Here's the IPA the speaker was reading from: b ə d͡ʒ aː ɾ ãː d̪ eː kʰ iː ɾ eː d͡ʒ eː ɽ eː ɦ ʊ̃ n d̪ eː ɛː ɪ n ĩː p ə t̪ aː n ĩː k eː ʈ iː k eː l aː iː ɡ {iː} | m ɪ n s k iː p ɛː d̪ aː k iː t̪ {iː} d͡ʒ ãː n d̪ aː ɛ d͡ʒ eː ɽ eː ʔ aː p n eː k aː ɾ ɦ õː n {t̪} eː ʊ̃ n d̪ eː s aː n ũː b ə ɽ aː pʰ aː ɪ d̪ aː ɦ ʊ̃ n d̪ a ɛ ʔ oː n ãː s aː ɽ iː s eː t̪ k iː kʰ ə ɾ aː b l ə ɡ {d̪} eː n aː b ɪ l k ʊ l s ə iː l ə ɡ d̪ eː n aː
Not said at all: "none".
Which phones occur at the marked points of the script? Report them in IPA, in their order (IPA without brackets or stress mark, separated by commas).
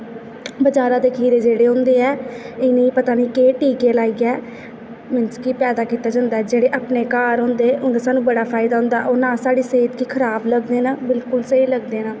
ɛː, aː, d̪, d̪